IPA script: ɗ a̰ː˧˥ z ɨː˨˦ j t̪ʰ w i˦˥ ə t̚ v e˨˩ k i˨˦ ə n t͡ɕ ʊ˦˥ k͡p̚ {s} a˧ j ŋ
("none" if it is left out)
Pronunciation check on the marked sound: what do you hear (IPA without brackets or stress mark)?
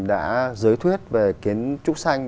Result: s